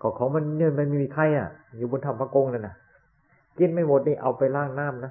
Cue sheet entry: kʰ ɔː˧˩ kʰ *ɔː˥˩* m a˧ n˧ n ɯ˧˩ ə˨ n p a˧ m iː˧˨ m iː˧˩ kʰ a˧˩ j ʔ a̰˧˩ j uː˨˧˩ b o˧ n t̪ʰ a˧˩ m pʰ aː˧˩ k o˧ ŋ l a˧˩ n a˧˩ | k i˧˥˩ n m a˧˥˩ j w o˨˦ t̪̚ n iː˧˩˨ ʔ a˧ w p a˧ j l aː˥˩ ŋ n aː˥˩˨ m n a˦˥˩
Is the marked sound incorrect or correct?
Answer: incorrect